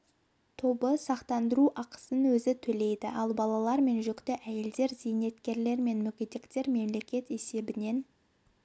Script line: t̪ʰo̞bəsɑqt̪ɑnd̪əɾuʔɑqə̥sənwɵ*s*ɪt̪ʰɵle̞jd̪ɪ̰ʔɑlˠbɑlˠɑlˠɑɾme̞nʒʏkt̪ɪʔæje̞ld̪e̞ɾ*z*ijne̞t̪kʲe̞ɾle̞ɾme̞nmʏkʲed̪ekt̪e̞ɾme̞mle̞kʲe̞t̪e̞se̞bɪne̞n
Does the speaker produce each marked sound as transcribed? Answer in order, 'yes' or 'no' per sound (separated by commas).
no, yes